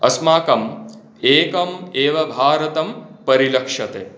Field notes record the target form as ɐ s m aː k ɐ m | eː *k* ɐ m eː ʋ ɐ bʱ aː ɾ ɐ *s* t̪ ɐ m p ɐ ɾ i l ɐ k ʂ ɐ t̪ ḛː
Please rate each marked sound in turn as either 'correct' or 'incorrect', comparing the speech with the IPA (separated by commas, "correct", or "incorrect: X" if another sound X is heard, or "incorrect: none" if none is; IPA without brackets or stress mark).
correct, incorrect: none